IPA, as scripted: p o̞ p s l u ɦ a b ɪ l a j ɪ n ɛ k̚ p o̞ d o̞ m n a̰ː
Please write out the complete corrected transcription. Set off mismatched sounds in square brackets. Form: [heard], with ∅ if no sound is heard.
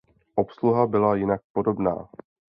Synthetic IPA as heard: [ʔ] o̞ p s l u ɦ a b ɪ l a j ɪ n [a] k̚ p o̞ d o̞ [b] n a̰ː